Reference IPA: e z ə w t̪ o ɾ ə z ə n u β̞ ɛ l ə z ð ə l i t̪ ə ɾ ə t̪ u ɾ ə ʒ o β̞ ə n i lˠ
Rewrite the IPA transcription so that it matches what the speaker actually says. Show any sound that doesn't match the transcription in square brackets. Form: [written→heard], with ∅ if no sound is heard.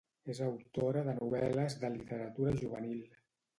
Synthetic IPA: e z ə w t̪ o ɾ ə [z→ð] ə n u β̞ ɛ l ə z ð ə l i t̪ ə ɾ ə t̪ u ɾ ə ʒ [o→u] β̞ ə n i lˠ